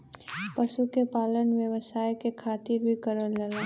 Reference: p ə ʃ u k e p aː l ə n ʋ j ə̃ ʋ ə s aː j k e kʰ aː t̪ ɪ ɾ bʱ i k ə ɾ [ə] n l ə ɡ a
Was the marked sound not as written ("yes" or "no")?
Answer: no